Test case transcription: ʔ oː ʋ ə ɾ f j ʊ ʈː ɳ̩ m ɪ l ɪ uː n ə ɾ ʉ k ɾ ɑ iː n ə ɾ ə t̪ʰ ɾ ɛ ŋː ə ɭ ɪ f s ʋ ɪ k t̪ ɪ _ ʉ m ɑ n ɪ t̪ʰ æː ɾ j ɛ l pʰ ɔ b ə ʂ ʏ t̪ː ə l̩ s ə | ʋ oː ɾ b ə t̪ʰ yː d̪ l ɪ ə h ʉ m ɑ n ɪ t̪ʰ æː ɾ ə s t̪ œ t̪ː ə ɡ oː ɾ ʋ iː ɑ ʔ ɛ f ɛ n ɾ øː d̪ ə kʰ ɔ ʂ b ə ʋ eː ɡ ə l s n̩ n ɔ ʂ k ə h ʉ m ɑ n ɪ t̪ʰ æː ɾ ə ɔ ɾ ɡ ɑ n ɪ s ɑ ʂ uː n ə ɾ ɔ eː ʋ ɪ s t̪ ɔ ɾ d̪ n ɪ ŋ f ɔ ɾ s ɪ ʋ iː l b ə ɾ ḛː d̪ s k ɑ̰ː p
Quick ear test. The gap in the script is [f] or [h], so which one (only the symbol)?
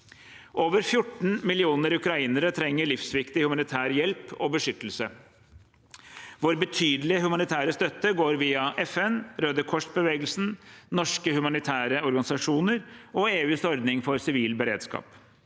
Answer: h